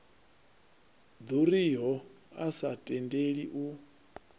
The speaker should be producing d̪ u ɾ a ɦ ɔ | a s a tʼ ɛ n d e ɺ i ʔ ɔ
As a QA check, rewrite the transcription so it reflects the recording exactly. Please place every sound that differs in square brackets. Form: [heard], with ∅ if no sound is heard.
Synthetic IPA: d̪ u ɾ [i] ɦ ɔ | a s a tʼ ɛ n d e ɺ i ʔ [u]